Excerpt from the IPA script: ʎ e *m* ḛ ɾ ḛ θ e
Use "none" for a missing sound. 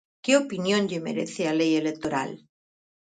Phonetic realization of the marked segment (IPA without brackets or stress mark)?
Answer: m